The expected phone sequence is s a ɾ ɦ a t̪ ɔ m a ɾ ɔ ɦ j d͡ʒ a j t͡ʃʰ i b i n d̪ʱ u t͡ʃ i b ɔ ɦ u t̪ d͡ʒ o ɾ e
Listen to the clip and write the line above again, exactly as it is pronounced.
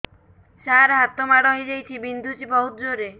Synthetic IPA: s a ɾ ɦ a t̪ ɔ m a ɽ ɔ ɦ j d͡ʒ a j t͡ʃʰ i b i n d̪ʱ u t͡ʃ i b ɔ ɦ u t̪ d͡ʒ o ɾ e